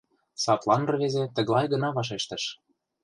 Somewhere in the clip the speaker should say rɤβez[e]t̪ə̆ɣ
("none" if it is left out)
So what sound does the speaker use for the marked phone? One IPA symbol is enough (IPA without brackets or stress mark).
e